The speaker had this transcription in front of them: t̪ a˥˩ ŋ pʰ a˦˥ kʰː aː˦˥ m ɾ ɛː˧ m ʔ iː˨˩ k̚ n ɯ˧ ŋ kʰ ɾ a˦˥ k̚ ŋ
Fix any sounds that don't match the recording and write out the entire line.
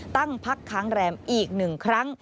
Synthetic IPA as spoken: t̪ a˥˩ ŋ pʰ a˦˥ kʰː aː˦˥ ŋ ɾ ɛː˧ m ʔ iː˨˩ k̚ n ɯ˨˩ ŋ kʰ ɾ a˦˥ ŋ